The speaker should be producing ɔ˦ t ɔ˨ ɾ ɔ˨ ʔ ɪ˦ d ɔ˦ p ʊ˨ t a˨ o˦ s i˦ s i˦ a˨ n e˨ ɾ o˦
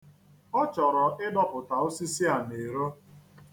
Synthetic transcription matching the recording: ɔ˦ t͡ʃ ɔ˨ ɾ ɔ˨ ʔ ɪ˦ d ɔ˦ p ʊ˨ t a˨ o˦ s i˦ s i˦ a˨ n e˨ ɾ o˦